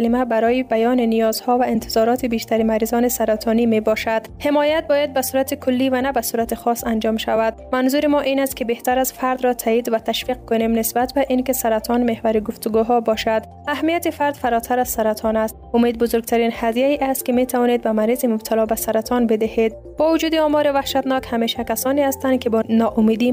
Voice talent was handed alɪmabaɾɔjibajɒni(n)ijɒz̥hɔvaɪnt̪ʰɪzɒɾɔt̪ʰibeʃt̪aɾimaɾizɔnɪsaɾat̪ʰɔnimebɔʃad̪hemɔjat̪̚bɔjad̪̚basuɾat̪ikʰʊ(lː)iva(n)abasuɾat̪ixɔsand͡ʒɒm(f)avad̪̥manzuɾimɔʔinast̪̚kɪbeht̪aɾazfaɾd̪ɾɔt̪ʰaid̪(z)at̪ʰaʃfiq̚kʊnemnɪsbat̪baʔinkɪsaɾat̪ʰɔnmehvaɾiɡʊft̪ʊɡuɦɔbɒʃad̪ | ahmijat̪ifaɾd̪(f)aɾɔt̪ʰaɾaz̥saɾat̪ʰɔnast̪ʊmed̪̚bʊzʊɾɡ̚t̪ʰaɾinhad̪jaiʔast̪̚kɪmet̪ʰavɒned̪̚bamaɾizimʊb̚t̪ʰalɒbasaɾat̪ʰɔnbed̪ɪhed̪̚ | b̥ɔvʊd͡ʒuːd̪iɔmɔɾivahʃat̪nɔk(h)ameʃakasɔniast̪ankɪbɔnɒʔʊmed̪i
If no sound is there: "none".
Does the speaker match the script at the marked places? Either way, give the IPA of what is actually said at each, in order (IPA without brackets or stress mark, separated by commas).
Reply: n, lː, n, ʃ, v, f, h